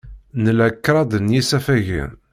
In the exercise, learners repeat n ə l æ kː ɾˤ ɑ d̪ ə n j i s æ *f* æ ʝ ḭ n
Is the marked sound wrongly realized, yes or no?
no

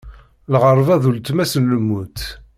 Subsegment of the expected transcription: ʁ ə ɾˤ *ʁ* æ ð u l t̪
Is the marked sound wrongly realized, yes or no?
yes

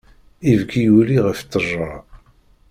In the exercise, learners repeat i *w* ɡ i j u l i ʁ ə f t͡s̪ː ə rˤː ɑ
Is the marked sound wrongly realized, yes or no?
yes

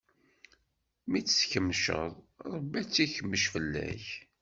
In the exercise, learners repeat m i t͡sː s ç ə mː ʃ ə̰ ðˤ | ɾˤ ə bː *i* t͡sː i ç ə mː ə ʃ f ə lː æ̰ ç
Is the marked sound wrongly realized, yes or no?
yes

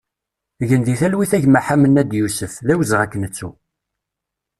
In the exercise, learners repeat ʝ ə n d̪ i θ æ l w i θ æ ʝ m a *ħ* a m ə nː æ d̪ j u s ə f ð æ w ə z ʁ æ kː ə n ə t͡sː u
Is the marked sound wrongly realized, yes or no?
no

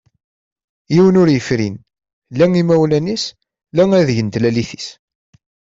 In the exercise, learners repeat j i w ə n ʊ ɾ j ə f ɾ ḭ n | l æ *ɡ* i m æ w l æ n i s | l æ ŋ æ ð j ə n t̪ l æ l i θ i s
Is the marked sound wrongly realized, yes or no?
yes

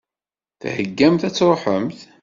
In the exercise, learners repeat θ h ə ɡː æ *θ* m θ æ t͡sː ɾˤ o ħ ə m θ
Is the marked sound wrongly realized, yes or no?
yes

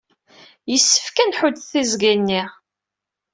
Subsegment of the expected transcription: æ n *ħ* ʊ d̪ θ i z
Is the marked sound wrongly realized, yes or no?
no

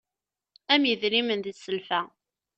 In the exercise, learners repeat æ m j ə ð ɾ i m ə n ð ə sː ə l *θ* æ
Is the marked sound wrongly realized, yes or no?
yes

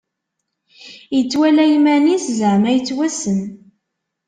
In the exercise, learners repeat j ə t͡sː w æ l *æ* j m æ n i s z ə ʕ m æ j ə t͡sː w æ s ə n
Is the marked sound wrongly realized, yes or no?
no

